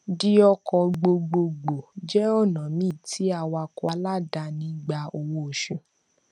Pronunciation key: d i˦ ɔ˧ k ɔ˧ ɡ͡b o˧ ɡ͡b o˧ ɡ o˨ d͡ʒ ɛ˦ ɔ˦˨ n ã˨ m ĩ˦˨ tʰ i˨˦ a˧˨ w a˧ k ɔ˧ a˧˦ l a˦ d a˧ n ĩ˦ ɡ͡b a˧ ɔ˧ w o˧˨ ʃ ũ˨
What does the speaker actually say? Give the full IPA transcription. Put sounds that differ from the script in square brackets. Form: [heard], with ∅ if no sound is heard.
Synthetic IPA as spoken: d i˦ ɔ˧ k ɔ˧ ɡ͡b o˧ ɡ͡b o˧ [ɡ͡b] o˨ d͡ʒ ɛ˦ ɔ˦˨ n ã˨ m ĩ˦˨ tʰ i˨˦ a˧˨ w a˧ k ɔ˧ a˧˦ l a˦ d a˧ n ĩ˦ ɡ͡b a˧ [o˧] w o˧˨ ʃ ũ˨